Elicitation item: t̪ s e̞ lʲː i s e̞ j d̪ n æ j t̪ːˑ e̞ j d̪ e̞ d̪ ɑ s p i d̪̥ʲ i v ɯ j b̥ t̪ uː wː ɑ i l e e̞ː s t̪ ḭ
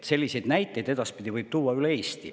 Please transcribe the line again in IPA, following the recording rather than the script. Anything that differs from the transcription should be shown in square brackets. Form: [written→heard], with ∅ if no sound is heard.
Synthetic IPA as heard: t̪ s e̞ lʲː i s e̞ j d̪ n æ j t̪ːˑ e̞ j d̪ e̞ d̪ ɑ s p i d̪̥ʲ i v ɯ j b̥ t̪ uː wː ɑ [i→y] l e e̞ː s t̪ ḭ